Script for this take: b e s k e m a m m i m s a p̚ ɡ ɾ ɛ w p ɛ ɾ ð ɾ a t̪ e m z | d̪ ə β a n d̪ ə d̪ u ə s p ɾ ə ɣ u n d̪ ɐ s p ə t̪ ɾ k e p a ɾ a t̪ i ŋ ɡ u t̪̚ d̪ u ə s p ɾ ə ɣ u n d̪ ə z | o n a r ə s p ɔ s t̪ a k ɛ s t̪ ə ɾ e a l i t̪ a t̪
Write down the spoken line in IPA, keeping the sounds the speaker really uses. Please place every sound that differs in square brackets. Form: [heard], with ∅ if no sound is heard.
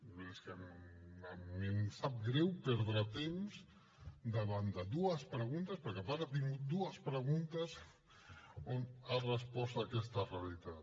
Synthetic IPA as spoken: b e s k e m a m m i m s a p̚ ɡ ɾ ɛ w p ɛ ɾ ð ɾ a t̪ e m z | d̪ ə β a n d̪ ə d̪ u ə s p ɾ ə ɣ u n [t̪] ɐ s p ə [∅] ɾ k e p a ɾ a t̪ i ŋ ɡ u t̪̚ d̪ u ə s p ɾ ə ɣ u n [t̪] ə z | o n a r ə s p ɔ s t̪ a k ɛ s t̪ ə [r] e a l i t̪ a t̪